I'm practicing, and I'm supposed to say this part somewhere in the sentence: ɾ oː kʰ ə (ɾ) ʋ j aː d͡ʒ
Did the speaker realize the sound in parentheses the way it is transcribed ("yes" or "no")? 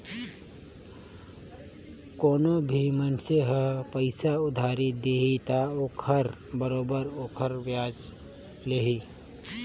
yes